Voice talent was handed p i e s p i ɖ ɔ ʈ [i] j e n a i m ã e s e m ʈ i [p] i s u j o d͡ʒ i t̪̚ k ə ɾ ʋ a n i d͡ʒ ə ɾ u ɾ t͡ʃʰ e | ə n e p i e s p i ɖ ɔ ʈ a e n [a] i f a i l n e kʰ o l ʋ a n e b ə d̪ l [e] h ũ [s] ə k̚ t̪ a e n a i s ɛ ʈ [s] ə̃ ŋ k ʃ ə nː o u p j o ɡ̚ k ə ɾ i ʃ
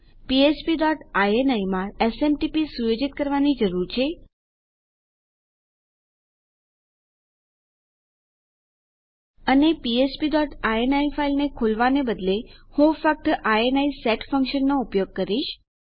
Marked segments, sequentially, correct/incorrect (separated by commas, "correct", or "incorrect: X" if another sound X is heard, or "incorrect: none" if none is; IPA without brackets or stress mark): incorrect: a, correct, correct, correct, incorrect: f, incorrect: f